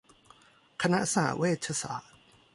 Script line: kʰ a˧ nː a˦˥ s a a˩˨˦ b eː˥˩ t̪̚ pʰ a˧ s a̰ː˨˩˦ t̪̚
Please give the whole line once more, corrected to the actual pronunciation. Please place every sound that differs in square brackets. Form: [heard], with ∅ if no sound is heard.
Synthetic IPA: kʰ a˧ [n] a˦˥ s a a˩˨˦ [w] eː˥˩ t̪̚ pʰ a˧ s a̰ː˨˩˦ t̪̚